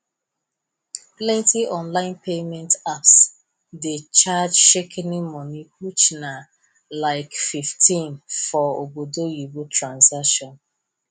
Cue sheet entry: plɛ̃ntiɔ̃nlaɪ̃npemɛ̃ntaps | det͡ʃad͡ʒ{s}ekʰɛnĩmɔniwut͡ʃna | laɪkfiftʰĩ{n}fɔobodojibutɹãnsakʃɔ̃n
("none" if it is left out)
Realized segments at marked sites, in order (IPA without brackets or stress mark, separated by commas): ʃ, n